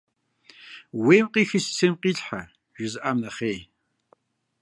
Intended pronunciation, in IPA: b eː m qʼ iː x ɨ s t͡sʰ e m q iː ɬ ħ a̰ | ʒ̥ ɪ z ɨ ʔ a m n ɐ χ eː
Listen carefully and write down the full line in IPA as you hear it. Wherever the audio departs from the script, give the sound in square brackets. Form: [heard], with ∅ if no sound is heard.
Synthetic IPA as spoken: [w] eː m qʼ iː x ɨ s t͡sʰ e m q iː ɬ ħ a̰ | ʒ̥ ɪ z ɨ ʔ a m n ɐ χ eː